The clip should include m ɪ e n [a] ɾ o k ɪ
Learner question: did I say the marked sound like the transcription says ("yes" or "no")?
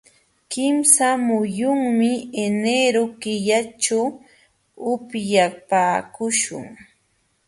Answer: no